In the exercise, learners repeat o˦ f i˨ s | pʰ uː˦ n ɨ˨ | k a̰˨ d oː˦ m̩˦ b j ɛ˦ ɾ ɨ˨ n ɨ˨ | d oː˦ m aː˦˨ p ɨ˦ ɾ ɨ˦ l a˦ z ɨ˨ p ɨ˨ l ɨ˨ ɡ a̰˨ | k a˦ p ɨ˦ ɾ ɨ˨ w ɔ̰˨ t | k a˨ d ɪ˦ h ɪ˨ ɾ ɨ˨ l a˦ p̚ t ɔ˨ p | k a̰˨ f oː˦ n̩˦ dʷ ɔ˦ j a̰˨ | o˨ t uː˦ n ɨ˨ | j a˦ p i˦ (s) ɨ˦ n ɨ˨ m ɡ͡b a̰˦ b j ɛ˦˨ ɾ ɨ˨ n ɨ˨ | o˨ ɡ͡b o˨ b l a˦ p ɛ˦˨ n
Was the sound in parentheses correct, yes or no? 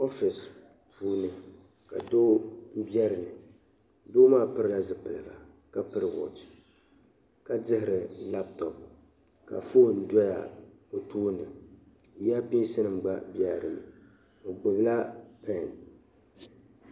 yes